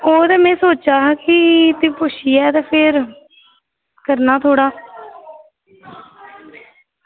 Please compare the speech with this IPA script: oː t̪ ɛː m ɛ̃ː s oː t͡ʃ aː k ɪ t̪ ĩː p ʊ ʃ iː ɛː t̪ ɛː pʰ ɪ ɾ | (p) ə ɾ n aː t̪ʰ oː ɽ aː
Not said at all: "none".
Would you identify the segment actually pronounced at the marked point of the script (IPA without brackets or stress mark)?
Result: k